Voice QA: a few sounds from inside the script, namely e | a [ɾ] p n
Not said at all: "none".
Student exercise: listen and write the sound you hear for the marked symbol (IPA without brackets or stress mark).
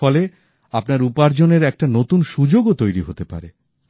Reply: none